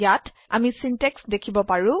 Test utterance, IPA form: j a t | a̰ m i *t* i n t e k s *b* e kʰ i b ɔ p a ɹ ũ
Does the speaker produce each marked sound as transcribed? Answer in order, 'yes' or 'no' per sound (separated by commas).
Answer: no, no